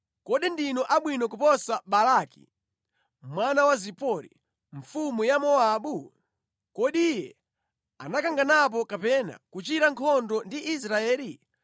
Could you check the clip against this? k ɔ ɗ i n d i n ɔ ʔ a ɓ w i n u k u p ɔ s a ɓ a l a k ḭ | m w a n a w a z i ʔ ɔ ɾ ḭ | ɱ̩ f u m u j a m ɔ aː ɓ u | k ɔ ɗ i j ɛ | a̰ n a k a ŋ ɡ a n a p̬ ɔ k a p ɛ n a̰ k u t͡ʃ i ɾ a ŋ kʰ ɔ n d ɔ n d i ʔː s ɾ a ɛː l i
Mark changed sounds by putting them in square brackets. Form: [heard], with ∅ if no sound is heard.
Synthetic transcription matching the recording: k ɔ ɗ i n d i n ɔ ʔ a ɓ w i n [ɔ] k u p ɔ s a ɓ a l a k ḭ | m w a n a w a z i [p] ɔ ɾ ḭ | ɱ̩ f u m u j a m ɔ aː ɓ u | k ɔ ɗ i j ɛ | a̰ n a k a ŋ ɡ a n a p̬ ɔ k a p ɛ n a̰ k u t͡ʃ i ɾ a ŋ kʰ ɔ n d ɔ n d i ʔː s ɾ a ɛː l i